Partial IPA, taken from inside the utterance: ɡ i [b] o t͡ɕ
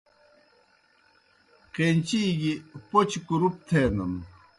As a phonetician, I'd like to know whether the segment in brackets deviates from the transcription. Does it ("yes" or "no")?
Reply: yes